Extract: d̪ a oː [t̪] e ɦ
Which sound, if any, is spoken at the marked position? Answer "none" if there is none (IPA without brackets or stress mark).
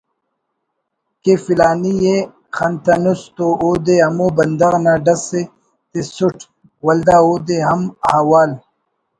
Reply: d̪